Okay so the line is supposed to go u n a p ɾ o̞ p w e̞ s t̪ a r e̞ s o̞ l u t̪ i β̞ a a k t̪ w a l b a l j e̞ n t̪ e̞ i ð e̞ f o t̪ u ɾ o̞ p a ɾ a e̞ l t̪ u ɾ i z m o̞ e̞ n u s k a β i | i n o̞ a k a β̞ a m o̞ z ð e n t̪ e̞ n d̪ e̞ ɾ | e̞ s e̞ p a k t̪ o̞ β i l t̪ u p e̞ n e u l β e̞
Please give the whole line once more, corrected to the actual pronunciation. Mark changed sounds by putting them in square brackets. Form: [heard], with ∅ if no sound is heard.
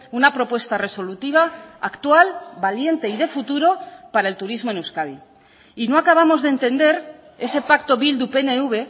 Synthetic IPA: u n a p ɾ o̞ p w e̞ s t̪ a r e̞ s o̞ l u t̪ i β̞ a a k t̪ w a l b a l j e̞ n t̪ e̞ i ð e̞ f [u] t̪ u ɾ o̞ p a ɾ a e̞ l t̪ u ɾ i z m o̞ e̞ n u s k a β i | i n o̞ a k a β̞ a m o̞ z ð e n t̪ e̞ n d̪ e̞ ɾ | e̞ s e̞ p a k t̪ o̞ β i l [d̪] u p e̞ n e u [∅] β e̞